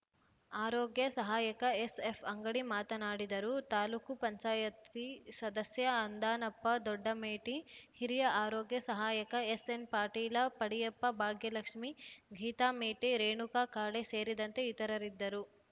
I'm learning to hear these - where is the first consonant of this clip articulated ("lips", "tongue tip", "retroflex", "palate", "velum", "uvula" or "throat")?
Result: tongue tip